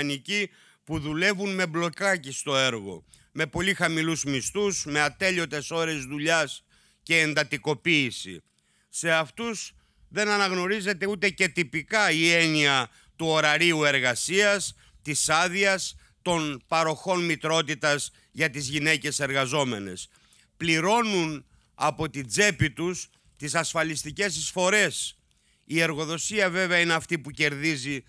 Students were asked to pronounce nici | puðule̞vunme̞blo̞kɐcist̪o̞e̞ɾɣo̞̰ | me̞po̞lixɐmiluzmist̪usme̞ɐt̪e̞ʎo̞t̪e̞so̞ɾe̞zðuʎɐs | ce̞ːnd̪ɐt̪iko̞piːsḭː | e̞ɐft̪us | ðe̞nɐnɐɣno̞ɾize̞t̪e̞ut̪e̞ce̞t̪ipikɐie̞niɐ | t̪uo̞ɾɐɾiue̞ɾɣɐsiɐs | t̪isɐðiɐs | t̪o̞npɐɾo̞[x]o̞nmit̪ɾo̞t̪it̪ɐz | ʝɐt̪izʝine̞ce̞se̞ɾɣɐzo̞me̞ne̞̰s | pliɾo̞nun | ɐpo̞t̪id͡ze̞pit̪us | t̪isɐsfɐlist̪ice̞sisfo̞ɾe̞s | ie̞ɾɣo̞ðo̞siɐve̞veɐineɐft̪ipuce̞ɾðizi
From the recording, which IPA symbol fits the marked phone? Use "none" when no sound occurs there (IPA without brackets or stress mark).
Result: x